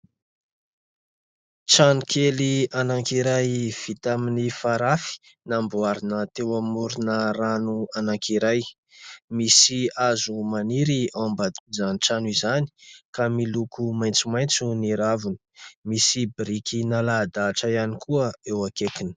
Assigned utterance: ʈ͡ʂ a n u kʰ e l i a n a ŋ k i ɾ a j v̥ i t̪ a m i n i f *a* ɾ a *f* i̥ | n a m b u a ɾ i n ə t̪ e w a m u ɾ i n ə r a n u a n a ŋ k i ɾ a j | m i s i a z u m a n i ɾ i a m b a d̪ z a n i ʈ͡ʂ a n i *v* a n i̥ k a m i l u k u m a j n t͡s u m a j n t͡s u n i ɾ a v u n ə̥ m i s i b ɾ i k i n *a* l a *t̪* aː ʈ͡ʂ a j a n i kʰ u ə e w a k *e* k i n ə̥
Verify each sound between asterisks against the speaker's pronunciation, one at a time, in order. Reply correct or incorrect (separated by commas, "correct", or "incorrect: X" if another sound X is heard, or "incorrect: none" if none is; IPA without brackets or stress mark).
correct, correct, incorrect: z, correct, incorrect: d̪, correct